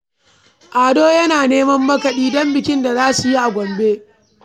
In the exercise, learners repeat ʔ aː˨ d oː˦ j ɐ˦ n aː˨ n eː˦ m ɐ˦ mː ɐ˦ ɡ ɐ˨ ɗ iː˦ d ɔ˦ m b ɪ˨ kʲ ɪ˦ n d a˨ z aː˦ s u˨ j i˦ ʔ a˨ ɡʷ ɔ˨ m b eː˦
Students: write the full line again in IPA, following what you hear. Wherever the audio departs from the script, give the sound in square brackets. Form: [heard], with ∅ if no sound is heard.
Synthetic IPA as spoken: ʔ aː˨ d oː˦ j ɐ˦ n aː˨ n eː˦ m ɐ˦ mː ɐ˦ [k] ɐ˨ ɗ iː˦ d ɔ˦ m b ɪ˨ kʲ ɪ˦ n d a˨ z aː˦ s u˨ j i˦ ʔ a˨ ɡʷ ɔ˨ m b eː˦